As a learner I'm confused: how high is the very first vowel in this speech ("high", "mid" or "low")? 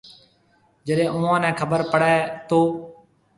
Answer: mid